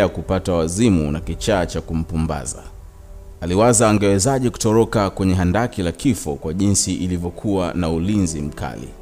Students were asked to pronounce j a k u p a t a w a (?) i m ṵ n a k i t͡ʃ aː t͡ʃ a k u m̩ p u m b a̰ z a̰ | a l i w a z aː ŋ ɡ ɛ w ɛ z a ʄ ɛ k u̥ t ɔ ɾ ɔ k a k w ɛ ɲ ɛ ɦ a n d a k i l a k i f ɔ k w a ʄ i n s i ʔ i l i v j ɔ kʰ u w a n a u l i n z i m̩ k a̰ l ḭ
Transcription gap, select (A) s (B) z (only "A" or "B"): B